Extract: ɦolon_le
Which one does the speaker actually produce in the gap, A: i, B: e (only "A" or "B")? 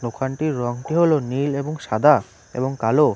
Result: A